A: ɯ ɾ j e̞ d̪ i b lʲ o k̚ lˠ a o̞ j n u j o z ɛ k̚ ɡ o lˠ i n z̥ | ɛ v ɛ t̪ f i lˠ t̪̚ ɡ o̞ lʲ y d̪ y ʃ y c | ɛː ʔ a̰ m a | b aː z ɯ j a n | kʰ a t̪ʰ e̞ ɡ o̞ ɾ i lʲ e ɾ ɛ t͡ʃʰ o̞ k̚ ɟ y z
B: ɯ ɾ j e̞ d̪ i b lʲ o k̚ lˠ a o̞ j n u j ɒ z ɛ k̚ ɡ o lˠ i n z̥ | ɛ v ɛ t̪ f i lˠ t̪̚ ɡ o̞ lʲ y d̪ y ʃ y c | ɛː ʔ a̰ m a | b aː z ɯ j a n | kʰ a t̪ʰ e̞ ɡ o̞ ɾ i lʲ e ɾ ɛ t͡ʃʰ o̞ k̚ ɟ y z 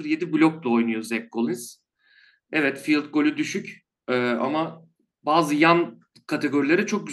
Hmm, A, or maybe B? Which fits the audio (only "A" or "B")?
A